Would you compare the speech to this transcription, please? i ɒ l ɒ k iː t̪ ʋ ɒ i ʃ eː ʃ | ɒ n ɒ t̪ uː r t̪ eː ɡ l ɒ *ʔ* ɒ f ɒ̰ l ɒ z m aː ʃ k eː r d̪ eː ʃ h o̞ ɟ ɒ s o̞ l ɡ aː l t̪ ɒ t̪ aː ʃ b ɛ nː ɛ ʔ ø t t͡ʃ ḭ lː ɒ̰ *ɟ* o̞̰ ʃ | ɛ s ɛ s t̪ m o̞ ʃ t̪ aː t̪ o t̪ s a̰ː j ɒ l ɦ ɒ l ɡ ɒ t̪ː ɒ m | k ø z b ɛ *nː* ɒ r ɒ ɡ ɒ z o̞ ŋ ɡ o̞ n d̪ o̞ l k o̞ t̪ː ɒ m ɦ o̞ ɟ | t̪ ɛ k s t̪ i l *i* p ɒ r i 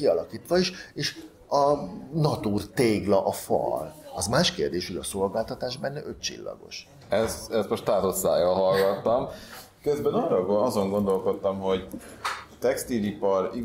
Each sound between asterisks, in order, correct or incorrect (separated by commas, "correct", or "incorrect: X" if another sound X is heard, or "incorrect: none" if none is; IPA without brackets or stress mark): correct, incorrect: ɡ, incorrect: n, correct